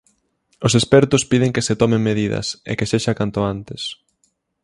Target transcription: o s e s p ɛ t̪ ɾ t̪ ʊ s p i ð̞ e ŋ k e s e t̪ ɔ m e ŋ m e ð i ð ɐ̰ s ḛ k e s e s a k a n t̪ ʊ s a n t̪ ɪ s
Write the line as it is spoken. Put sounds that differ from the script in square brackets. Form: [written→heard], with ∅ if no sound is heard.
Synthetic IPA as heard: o s e s p ɛ [t̪→∅] ɾ t̪ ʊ s p i ð̞ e ŋ k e s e t̪ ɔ m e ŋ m e ð i ð ɐ̰ s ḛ k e s e [s→ʃ] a k a n t̪ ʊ [s→∅] a n t̪ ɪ s